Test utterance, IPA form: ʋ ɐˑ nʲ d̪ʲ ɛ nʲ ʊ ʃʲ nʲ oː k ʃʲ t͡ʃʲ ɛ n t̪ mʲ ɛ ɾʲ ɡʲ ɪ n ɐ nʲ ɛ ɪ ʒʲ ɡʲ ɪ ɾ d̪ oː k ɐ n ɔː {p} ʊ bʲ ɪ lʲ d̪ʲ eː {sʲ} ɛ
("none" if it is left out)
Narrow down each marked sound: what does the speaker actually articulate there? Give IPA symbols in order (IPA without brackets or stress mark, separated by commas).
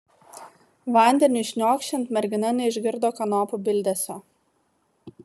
p, sʲ